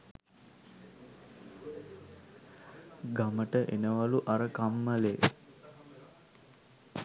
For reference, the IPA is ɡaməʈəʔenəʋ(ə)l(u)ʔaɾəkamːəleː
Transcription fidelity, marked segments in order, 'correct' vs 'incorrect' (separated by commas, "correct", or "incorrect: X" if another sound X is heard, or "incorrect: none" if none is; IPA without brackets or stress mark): incorrect: a, correct